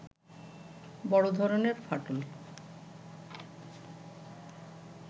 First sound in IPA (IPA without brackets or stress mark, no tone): b